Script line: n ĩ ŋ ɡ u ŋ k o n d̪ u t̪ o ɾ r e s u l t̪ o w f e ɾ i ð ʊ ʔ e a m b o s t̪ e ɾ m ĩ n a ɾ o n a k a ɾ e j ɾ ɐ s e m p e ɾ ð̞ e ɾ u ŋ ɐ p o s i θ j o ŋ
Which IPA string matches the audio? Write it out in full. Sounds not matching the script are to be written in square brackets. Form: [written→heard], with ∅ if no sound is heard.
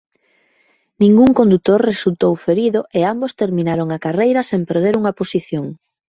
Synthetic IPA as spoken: n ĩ ŋ ɡ u ŋ k o n d̪ u t̪ o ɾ r e s u l t̪ o w f e ɾ i ð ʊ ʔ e a m b o s t̪ e ɾ m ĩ n a ɾ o [n→ŋ] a k a [ɾ→r] e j ɾ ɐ s e m p e ɾ ð̞ e ɾ u ŋ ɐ p o s i θ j o ŋ